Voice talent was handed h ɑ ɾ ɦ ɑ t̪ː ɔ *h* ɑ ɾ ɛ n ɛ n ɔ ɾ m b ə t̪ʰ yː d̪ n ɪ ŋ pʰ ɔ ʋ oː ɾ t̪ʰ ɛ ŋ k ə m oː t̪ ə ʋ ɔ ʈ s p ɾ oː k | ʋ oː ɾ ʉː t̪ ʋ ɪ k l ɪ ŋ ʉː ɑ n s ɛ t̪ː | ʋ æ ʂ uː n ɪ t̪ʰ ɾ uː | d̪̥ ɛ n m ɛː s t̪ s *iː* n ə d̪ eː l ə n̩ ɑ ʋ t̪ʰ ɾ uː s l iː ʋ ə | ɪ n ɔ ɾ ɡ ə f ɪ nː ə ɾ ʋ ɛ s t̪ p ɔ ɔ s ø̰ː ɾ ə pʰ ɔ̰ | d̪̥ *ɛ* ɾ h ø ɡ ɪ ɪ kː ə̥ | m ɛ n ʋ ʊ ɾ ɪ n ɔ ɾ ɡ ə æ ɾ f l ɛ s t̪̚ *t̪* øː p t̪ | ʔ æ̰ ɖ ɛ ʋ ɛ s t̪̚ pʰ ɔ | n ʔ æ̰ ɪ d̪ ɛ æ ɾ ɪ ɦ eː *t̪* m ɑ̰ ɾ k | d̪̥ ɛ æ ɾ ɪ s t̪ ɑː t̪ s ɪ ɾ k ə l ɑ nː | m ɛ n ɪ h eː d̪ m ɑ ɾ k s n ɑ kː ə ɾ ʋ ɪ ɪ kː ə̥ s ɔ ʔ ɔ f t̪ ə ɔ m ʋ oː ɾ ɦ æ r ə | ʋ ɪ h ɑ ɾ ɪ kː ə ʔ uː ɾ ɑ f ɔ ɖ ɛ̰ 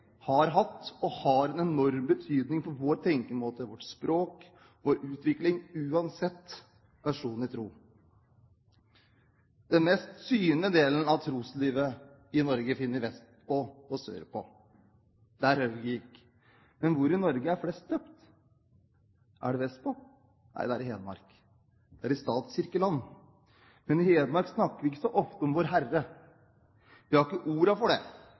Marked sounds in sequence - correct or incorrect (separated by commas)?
correct, incorrect, incorrect, incorrect, incorrect